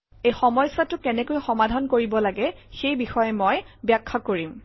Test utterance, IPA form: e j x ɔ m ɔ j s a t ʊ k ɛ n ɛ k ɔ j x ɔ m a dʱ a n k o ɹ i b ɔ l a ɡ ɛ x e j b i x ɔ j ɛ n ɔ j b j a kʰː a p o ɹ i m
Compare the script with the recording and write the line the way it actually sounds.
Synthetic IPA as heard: e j x ɔ m ɔ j s a t ʊ k ɛ n ɛ k o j x ɔ m a dʱ a n k o ɹ i b ɔ l a ɡ ɛ x e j b i x ɔ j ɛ m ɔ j b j a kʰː a k o ɹ i m